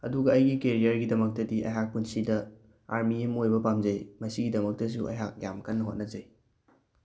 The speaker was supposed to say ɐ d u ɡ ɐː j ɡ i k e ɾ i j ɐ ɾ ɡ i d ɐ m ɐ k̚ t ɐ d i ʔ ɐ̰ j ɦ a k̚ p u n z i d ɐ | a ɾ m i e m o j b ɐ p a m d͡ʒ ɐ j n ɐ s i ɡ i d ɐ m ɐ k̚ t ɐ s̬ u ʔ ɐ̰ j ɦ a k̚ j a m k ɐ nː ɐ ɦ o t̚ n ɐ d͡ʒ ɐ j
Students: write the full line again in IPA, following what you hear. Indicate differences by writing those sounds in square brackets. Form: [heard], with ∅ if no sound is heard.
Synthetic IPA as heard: ɐ d u ɡ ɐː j ɡ i k e ɾ i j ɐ ɾ ɡ i d ɐ m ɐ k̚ t ɐ d i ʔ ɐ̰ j ɦ a k̚ p u n [s] i d ɐ | a ɾ m i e m o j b ɐ p a m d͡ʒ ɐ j [m] ɐ s i ɡ i d ɐ m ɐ k̚ t ɐ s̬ u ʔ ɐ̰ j ɦ a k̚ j a m k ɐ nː ɐ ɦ o t̚ n ɐ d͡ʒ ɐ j